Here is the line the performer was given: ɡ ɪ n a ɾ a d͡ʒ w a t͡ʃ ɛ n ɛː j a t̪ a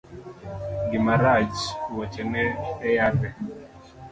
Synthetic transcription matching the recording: ɡ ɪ m a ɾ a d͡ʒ w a t͡ʃ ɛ n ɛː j a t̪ ɛ

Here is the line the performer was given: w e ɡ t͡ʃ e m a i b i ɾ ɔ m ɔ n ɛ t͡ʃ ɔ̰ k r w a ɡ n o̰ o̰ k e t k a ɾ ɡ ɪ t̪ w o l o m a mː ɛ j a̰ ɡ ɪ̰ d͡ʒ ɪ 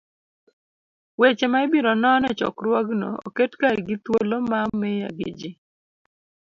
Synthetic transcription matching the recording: w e t͡ʃ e m a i b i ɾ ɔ n ɔ n ɛ t͡ʃ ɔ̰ k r w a ɡ n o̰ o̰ k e t k a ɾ ɡ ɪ t̪ w o l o m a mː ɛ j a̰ ɡ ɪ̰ d͡ʒ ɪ

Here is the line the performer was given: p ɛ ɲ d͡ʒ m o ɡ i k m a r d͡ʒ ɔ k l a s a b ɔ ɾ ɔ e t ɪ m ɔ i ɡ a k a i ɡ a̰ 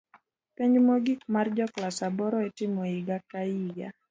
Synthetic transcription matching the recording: p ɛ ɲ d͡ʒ m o ɡ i k m a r d͡ʒ ɔ k l a s a b ɔ ɾ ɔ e t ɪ m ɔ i ɡ a k a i ɡ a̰

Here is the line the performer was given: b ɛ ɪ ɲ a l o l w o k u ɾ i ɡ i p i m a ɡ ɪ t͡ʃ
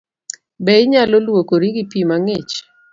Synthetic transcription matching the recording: b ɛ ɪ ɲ a l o l w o k o ɾ i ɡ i p i m a ŋ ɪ t͡ʃ

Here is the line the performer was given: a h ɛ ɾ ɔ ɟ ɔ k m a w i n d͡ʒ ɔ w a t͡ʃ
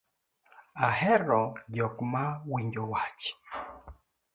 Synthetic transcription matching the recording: a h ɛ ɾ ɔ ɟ ɔ k m a w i ɲ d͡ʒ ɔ w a t͡ʃ

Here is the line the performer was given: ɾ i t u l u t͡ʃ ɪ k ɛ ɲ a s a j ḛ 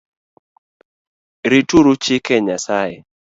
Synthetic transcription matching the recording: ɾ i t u ɾ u t͡ʃ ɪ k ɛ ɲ a s a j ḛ

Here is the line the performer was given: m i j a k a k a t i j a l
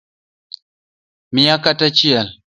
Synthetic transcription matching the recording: m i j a k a t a t͡ʃ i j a l

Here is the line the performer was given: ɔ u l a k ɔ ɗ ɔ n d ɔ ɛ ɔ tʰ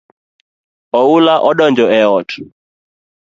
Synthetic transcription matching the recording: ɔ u l a ʔ ɔ ɗ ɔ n d͡ʒ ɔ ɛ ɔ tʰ

